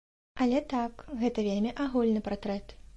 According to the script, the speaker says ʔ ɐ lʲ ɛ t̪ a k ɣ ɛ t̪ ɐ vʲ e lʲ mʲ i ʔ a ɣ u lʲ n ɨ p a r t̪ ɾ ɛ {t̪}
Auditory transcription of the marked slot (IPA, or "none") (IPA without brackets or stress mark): t̪